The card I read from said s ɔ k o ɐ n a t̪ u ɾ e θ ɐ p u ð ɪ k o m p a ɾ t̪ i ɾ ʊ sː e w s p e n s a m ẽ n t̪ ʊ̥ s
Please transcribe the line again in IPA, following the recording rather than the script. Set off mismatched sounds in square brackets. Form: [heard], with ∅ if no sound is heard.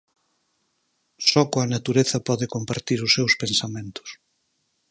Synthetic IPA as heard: s ɔ k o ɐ n a t̪ u ɾ e θ ɐ p [ɔ] ð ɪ k o m p a ɾ t̪ i ɾ ʊ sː e w s p e n s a m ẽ n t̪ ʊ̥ s